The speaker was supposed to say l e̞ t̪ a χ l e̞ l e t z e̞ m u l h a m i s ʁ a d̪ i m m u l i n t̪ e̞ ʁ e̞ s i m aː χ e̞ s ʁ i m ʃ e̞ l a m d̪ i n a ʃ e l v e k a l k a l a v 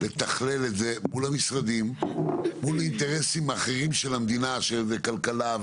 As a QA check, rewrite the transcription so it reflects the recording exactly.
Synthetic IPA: l e̞ t̪ a χ l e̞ l e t z e̞ m u l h a m i s ʁ a d̪ i m m u l i n t̪ e̞ ʁ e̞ s i m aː χ e̞ ʁ i m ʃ e̞ l a m d̪ i n a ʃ e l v e k a l k a l a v